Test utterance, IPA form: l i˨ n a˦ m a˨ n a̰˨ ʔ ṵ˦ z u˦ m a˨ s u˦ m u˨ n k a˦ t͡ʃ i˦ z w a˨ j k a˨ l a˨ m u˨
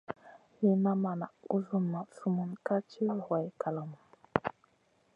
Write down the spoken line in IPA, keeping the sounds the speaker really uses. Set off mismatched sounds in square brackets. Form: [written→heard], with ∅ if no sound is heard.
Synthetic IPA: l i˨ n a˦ m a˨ n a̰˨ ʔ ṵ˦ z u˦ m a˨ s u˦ m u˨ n k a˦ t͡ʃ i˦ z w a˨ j k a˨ l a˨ m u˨